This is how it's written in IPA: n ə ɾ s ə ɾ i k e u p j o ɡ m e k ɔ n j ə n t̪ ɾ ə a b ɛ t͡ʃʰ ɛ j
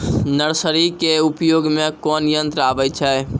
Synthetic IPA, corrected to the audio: n ə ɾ s ə ɾ i k e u p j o ɡ m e k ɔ n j ə n t̪ ɾ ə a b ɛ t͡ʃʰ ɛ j